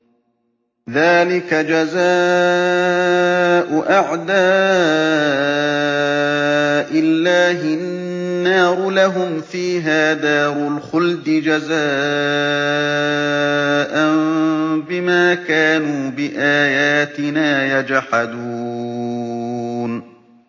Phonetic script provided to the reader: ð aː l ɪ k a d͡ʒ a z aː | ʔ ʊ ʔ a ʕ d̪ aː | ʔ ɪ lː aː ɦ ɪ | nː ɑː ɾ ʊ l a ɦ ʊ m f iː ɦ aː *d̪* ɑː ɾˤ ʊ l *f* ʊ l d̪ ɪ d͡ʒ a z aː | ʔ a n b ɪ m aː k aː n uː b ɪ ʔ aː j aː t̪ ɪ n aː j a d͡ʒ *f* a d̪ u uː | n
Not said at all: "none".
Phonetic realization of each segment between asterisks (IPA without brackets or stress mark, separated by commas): d̪, x, ħ